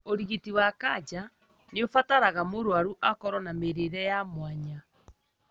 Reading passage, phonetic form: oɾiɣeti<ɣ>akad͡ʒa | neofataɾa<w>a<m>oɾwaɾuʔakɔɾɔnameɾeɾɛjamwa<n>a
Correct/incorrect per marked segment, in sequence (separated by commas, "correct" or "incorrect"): incorrect, incorrect, correct, incorrect